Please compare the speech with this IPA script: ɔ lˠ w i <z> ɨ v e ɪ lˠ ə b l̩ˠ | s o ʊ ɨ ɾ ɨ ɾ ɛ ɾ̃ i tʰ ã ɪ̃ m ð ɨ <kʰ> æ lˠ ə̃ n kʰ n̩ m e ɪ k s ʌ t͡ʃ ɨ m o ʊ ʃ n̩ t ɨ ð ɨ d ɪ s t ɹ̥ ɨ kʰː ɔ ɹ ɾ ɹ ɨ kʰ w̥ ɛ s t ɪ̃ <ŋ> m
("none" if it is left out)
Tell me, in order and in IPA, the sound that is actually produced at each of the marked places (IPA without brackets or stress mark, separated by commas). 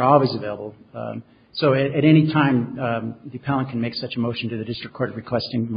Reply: z, pʰ, ŋ